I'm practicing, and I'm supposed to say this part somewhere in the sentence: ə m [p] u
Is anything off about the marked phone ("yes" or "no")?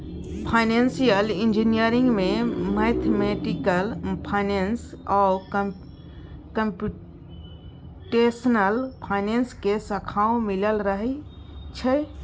no